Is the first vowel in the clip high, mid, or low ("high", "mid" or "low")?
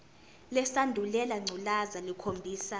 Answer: mid